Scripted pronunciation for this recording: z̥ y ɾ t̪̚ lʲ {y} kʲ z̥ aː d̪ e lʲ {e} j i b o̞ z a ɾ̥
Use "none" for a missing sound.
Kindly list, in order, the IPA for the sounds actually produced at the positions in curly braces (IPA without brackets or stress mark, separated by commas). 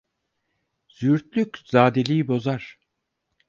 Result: y, i